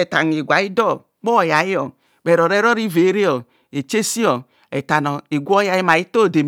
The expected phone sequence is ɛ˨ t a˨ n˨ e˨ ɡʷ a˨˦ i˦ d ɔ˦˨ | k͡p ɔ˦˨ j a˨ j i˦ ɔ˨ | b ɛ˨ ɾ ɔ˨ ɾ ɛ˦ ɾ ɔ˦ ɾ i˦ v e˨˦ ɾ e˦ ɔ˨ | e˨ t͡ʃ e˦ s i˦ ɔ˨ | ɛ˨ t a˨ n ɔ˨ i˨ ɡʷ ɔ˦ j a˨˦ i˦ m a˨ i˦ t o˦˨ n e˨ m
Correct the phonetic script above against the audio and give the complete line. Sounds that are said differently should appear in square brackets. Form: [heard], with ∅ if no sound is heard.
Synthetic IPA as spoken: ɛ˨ t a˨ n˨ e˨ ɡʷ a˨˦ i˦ d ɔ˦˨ | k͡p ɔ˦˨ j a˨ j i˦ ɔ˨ | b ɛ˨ ɾ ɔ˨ ɾ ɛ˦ ɾ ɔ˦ ɾ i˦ v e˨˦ ɾ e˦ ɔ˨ | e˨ t͡ʃ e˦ s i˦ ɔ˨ | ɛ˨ t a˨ n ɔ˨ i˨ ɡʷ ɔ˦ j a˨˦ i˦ m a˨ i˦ t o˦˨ [d] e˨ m